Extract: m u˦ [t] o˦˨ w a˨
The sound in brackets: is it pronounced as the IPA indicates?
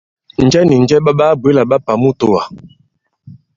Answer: yes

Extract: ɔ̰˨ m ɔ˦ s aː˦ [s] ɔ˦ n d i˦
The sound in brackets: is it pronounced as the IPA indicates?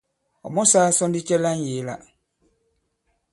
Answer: yes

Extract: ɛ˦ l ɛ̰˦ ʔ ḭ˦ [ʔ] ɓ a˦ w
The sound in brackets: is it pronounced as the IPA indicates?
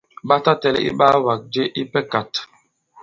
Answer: no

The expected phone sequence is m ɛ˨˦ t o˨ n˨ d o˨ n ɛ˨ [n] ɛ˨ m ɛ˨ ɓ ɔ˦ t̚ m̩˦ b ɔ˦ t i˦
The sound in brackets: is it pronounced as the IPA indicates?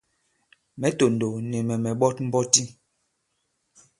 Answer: no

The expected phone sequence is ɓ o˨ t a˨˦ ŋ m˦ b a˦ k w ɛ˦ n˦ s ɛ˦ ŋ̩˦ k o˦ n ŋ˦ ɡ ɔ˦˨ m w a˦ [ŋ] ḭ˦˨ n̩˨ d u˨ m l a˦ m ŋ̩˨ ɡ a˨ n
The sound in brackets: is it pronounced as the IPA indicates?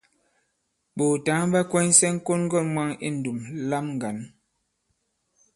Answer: yes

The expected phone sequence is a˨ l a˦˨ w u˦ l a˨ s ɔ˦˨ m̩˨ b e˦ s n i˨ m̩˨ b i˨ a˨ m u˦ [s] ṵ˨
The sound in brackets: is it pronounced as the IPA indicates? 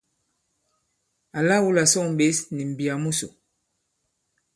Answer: yes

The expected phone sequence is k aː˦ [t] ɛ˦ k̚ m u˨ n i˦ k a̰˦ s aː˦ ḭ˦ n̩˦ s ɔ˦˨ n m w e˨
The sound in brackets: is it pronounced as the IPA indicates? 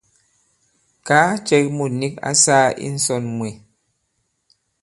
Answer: no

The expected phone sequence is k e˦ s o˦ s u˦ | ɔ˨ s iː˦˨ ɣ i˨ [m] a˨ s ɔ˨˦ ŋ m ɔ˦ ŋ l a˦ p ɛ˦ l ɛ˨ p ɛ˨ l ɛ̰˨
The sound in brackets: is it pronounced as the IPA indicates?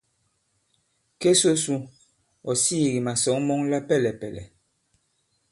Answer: yes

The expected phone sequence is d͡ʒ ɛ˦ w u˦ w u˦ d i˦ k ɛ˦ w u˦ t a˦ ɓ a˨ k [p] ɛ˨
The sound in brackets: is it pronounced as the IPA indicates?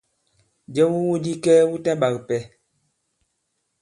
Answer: yes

